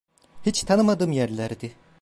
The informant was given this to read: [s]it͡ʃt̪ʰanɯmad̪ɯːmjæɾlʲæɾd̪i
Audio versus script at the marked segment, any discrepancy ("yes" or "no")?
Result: yes